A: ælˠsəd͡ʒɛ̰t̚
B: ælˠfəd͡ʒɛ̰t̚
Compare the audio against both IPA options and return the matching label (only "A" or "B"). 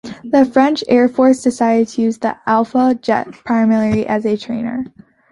B